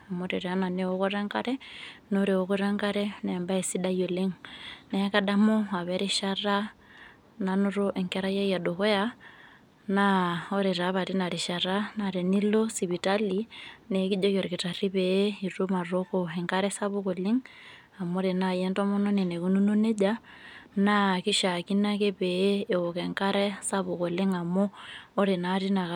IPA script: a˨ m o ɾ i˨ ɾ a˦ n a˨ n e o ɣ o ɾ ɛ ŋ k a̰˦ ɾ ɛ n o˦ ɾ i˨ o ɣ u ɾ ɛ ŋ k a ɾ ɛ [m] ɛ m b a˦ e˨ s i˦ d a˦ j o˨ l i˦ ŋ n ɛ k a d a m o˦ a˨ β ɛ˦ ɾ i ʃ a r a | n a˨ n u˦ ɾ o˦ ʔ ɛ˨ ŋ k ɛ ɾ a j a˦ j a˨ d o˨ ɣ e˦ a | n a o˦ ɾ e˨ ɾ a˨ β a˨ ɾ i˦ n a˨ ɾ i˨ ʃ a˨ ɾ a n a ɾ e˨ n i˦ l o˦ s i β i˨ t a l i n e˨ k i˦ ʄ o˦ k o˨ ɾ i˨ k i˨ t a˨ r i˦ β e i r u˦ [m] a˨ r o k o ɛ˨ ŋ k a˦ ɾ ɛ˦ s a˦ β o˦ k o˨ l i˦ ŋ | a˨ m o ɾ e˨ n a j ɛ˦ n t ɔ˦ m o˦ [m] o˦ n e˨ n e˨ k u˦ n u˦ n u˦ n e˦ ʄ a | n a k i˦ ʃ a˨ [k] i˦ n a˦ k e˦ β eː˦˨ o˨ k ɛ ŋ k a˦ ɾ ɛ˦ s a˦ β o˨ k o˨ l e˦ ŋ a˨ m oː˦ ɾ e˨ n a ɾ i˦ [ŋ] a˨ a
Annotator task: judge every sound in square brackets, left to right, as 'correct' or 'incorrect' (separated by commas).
incorrect, correct, incorrect, correct, incorrect